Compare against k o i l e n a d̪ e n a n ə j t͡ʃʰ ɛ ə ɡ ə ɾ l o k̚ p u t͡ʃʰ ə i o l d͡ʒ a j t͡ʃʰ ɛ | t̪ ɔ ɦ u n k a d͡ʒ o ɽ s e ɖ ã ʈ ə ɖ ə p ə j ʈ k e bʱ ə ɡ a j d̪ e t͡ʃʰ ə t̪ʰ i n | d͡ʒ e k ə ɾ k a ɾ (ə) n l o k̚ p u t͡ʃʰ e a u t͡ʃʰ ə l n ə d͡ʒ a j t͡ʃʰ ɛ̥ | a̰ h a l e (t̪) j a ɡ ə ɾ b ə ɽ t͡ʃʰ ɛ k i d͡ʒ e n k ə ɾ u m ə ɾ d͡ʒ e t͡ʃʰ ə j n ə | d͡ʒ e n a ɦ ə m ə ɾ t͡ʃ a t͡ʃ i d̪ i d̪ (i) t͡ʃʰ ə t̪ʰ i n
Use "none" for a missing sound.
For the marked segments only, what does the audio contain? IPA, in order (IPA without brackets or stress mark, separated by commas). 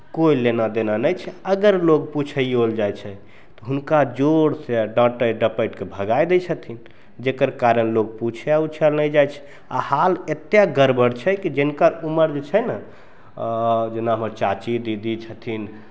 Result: ə, t̪, i